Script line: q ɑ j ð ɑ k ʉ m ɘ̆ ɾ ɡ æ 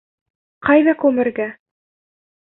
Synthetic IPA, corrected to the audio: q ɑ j ð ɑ k ʉ m ɘ̆ ɾ ɡ æ